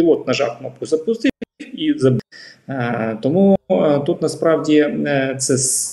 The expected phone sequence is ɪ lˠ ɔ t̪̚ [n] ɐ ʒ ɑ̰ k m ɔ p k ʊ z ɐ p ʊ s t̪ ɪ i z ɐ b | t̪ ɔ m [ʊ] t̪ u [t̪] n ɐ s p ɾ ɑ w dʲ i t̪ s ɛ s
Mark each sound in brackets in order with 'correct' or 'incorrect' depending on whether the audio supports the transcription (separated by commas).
correct, incorrect, correct